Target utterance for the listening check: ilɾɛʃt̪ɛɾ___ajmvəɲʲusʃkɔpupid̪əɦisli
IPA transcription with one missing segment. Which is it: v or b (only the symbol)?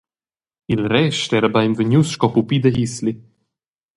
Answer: b